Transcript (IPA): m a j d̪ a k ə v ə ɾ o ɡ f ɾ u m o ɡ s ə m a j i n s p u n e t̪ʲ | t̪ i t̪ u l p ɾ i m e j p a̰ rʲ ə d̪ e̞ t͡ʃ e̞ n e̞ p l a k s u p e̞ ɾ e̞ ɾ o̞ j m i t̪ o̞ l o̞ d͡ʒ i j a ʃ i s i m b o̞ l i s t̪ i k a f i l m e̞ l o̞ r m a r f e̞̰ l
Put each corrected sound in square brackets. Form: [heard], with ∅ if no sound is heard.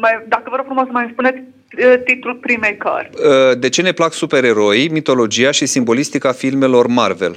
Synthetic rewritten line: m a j d̪ a k ə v ə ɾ o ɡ f ɾ u m o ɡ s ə m a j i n s p u n e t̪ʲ | t̪ i t̪ u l p ɾ i m e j [k] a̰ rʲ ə d̪ e̞ t͡ʃ e̞ n e̞ p l a k s u p e̞ ɾ e̞ ɾ o̞ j m i t̪ o̞ l o̞ d͡ʒ i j a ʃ i s i m b o̞ l i s t̪ i k a f i l m e̞ l o̞ r m a r [v] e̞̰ l